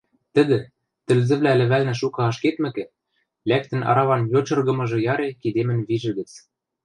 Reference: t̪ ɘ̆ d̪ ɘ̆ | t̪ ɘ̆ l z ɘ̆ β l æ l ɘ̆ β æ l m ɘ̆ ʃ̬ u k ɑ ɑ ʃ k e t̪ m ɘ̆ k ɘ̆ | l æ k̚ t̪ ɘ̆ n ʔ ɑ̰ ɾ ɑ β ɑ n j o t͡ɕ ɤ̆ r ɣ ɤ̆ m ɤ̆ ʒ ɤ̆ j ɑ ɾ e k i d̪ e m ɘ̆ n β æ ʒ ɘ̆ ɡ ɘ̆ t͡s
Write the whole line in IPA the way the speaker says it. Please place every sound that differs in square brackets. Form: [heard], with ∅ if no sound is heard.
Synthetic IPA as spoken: t̪ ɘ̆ d̪ ɘ̆ | t̪ ɘ̆ l z ɘ̆ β l æ l ɘ̆ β æ l [n] ɘ̆ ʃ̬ u k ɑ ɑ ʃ k e t̪ m ɘ̆ k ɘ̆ | l æ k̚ t̪ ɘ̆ n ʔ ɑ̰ ɾ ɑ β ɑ n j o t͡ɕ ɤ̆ r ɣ ɤ̆ m ɤ̆ ʒ ɤ̆ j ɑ ɾ e k i d̪ e m ɘ̆ n β [i] ʒ ɘ̆ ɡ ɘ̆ t͡s

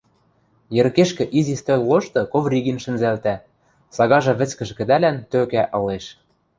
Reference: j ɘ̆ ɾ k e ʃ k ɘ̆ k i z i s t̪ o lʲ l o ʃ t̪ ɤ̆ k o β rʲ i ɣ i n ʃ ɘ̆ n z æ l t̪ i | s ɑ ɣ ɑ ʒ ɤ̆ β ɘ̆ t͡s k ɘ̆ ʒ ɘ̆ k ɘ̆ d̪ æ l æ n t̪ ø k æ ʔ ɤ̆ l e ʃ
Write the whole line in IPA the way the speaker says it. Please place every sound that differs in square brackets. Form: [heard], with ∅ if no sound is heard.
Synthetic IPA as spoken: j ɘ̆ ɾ k e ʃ k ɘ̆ [ʔ] i z i s t̪ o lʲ l o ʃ t̪ ɤ̆ k o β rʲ i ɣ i n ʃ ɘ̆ n z æ l t̪ [æ] | s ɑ ɣ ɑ ʒ ɤ̆ β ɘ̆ t͡s k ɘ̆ ʒ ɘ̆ k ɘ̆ d̪ æ l æ n t̪ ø k æ ʔ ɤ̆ l e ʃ

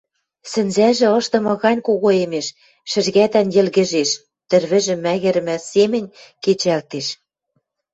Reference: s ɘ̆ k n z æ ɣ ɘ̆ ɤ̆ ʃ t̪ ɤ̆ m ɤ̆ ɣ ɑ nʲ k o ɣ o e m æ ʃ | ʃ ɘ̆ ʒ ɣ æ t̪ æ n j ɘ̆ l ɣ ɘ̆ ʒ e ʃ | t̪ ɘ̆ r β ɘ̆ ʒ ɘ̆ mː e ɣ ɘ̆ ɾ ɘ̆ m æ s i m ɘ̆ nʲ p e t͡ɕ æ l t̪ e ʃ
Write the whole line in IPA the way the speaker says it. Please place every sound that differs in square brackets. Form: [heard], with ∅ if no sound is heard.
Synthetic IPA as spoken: s ɘ̆ [∅] n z æ [ʒ] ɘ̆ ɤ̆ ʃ t̪ ɤ̆ m ɤ̆ ɣ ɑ nʲ k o ɣ o e m [e] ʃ | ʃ ɘ̆ ʒ ɣ æ t̪ æ n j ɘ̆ l ɣ ɘ̆ ʒ e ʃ | t̪ ɘ̆ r β ɘ̆ ʒ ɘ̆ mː [æ] ɣ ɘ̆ ɾ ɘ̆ m æ s [e] m ɘ̆ nʲ [k] e t͡ɕ æ l t̪ e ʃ

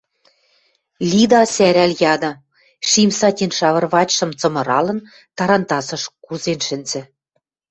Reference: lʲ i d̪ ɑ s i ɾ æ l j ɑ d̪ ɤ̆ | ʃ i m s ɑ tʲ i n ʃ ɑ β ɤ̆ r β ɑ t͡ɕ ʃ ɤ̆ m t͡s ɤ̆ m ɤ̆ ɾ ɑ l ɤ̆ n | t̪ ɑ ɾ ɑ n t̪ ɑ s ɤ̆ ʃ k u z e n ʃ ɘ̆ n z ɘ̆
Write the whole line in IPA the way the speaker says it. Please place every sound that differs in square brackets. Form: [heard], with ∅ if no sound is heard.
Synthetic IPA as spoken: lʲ i d̪ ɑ s [æ] ɾ æ l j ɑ d̪ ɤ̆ | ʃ i m s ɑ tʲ i n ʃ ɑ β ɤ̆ r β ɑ t͡ɕ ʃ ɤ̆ m t͡s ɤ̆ m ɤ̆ ɾ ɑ l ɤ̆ n | t̪ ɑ ɾ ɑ n t̪ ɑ s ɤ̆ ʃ k u z e n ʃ ɘ̆ n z ɘ̆

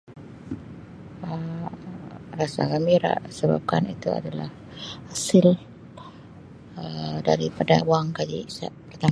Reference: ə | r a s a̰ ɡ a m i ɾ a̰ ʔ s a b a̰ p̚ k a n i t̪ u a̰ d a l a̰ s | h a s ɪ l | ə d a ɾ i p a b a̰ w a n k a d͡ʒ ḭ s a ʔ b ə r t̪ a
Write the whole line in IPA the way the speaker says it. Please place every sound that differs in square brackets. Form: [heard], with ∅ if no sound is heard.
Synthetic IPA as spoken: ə | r a s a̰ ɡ a m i ɾ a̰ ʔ s [ə] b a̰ p̚ k a n i t̪ u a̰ d a l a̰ [h] | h a s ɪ l | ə d a ɾ i p a [d] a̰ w a [ŋ] k a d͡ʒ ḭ s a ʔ [p] ə r t̪ a

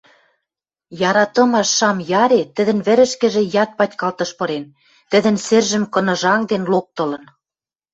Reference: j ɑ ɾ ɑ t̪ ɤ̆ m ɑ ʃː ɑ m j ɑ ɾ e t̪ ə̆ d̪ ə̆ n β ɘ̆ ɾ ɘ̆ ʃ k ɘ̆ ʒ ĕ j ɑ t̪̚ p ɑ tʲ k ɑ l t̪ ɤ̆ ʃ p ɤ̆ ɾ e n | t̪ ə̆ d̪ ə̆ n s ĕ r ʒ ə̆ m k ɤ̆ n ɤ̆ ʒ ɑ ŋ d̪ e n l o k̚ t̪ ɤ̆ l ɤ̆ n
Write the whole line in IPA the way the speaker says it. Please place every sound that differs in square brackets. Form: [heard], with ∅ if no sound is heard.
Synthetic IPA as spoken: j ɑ ɾ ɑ t̪ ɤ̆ m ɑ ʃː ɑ m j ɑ ɾ e t̪ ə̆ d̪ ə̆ n β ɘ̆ ɾ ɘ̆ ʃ k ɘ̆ ʒ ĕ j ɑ t̪̚ p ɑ tʲ k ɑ l t̪ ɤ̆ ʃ p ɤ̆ ɾ e n | t̪ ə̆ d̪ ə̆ n s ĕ r ʒ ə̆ m k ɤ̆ n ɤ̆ ʒ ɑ ŋ d̪ e n l o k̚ t̪ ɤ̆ l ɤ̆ n

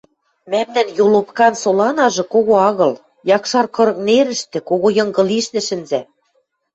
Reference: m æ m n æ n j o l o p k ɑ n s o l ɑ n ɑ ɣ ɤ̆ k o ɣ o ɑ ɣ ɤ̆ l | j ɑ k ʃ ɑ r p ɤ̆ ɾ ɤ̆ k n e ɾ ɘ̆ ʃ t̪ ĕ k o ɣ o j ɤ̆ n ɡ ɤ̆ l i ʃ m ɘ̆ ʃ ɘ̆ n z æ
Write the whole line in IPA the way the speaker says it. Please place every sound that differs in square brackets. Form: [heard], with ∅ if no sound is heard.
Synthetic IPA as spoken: m æ m n æ n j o l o p k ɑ n s o l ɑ n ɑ [ʒ] ɤ̆ k o ɣ o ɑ ɣ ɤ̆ l | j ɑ k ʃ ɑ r [k] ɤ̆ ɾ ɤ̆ k n e ɾ ɘ̆ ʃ t̪ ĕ k o ɣ o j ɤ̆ [ŋ] ɡ ɤ̆ l i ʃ [n] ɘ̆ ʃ ɘ̆ n z æ

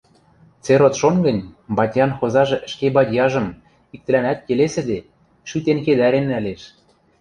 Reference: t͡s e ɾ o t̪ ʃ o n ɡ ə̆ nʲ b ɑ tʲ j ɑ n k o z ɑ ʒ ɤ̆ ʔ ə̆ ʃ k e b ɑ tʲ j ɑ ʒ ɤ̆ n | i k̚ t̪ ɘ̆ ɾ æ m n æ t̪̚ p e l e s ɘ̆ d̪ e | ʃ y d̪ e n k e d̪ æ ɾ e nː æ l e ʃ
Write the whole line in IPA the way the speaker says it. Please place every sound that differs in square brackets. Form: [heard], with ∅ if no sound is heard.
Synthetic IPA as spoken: t͡s e ɾ o t̪ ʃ o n ɡ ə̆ nʲ b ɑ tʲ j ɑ n [x] o z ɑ ʒ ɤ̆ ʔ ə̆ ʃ k e b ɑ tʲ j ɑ ʒ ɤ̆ [m] | i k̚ t̪ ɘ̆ [l] æ [∅] n æ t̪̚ [k] e l e s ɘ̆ d̪ e | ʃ y [t̪] e n k e d̪ æ ɾ e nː æ l e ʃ

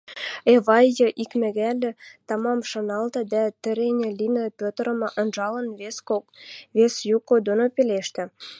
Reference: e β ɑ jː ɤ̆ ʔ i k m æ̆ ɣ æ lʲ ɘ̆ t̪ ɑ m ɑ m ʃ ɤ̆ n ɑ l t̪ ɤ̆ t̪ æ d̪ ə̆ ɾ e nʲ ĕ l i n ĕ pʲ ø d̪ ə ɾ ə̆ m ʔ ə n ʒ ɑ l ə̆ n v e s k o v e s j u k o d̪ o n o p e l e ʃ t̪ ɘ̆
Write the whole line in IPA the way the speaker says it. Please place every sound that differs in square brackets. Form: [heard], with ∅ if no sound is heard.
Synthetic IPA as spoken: e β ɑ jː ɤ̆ ʔ i k m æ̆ ɣ æ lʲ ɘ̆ t̪ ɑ m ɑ m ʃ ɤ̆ n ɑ l t̪ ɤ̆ [d̪] æ [t̪] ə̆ ɾ e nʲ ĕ l i n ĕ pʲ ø [t̪] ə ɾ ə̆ m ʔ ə n ʒ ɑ l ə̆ n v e s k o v e s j u k o d̪ o n o p e l e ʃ t̪ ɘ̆

